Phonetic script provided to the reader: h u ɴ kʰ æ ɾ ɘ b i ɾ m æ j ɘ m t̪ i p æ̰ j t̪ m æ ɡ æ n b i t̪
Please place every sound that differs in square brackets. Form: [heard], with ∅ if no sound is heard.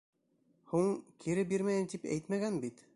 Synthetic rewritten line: h u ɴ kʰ [i] ɾ ɘ b i ɾ m æ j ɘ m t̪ i p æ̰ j t̪ m æ ɡ æ n b i t̪

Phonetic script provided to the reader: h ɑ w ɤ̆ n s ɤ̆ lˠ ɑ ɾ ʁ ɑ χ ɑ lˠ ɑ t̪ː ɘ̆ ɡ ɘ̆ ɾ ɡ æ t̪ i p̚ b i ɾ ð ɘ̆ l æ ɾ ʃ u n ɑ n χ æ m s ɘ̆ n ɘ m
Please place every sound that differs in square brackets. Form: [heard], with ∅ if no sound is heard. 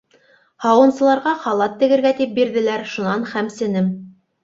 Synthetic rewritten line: h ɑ w ɤ̆ n s ɤ̆ lˠ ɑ ɾ ʁ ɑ χ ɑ lˠ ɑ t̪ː ɘ̆ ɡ ɘ̆ ɾ ɡ æ t̪ i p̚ b i ɾ ð ɘ̆ l æ ɾ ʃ u n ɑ n χ æ m s ɘ̆ n ɘ m

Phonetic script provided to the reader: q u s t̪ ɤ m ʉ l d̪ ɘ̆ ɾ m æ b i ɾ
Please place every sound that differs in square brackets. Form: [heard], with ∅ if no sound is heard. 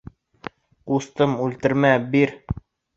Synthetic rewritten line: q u s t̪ ɤ m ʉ l [t̪] ɘ̆ ɾ m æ b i ɾ

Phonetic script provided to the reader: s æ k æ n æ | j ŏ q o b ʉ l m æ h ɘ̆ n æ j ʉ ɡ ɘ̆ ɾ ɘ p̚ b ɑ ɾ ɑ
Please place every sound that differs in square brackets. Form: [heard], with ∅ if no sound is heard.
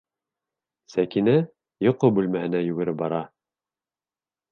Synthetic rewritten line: s æ k [i] n æ | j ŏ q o b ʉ l m æ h ɘ̆ n æ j ʉ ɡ ɘ̆ ɾ ɘ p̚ b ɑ ɾ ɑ

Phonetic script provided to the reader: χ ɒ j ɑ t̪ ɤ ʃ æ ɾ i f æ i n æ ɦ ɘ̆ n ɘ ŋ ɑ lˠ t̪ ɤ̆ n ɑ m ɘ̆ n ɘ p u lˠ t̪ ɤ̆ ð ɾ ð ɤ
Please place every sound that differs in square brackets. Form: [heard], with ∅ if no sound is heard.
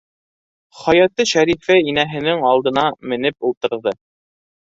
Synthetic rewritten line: χ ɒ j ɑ t̪ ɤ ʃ æ ɾ i f æ i n æ ɦ ɘ̆ n ɘ ŋ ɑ lˠ [d̪] ɤ̆ n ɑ m ɘ̆ n ɘ p u lˠ t̪ ɤ̆ [∅] ɾ ð ɤ

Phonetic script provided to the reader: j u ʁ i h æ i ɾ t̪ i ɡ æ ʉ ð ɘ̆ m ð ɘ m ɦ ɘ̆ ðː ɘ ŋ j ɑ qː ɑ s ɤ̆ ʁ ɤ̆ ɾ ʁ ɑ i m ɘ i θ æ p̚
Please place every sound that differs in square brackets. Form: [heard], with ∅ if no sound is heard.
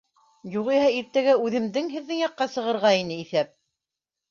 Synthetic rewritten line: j u ʁ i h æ i ɾ t̪ [æ] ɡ æ ʉ ð ɘ̆ m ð ɘ [ŋ] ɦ ɘ̆ ðː ɘ ŋ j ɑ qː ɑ s ɤ̆ ʁ ɤ̆ ɾ ʁ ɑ i [n] ɘ i θ æ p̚

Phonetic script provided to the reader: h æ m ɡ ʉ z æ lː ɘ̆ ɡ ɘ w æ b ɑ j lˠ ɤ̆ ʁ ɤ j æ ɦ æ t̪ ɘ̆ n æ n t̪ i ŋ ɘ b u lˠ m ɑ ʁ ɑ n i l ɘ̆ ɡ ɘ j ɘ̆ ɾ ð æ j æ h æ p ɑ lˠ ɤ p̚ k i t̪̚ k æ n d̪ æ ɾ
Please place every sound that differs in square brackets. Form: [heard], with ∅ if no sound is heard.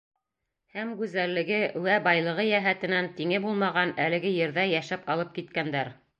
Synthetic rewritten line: h æ m ɡ ʉ z æ lː ɘ̆ ɡ ɘ w æ b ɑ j lˠ ɤ̆ ʁ ɤ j æ ɦ æ t̪ ɘ̆ n æ n t̪ i ŋ ɘ b u lˠ m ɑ ʁ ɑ n [æ] l ɘ̆ ɡ ɘ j ɘ̆ ɾ ð æ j æ [ʃ] æ p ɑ lˠ ɤ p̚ k i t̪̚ k æ n d̪ æ ɾ

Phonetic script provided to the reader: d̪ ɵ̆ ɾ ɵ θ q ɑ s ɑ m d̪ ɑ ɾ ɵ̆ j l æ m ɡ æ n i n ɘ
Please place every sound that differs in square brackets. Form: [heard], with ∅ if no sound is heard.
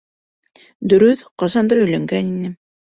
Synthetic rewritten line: d̪ ɵ̆ ɾ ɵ θ q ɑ s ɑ [n] d̪ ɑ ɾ ɵ̆ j l æ [ŋ] ɡ æ n i n ɘ

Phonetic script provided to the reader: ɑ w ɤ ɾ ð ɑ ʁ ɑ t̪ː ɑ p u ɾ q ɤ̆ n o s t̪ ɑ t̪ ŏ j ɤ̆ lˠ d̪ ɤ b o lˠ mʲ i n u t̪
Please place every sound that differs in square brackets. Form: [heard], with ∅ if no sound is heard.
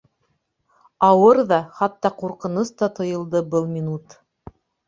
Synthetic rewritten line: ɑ w ɤ ɾ ð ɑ [χ] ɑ t̪ː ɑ [q] u ɾ q ɤ̆ n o s t̪ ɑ t̪ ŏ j ɤ̆ lˠ d̪ ɤ b [ɤ] lˠ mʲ i n u t̪

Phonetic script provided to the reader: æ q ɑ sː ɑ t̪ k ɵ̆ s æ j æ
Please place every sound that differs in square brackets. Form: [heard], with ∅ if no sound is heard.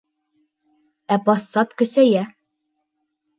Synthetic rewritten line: æ [p] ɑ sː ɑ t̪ k ɵ̆ s æ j æ

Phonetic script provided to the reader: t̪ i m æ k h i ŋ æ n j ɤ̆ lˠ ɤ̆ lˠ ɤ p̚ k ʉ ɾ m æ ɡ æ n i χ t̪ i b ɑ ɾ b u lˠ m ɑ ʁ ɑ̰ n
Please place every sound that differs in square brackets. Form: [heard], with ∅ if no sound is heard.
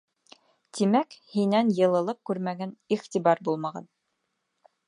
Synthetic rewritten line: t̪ i m æ k h i [n] æ n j ɤ̆ lˠ ɤ̆ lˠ ɤ p̚ k ʉ ɾ m æ ɡ æ n i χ t̪ i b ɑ ɾ b u lˠ m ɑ ʁ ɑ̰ n

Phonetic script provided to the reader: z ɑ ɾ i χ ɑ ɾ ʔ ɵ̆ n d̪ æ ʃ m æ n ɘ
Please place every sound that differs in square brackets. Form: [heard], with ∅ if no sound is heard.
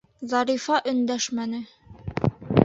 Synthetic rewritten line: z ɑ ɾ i [f] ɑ [∅] ʔ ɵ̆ n d̪ æ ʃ m æ n ɘ

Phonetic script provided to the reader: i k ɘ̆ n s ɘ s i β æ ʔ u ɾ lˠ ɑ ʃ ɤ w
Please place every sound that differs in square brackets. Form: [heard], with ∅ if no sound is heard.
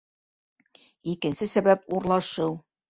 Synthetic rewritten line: i k ɘ̆ n s ɘ s [æ] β æ [p] u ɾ lˠ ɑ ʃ ɤ w

